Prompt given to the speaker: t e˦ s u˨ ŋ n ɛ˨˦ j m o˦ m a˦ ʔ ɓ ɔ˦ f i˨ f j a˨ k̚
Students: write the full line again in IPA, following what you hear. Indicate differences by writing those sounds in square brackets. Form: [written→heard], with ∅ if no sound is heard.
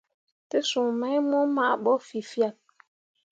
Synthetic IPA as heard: t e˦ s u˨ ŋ [n→m] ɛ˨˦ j m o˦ m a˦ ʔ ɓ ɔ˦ f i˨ f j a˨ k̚

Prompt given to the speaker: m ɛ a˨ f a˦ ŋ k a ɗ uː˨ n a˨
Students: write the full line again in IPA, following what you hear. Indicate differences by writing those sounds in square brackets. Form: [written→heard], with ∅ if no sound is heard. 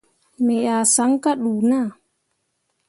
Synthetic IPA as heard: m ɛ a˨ [f→s] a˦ ŋ k a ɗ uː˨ n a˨

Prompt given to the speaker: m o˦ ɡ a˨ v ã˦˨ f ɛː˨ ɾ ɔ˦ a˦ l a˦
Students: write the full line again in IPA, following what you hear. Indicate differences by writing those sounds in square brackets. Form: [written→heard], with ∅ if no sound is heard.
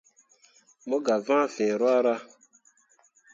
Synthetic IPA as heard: m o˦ ɡ a˨ v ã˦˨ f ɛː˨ ɾ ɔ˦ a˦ [l→ɾ] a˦

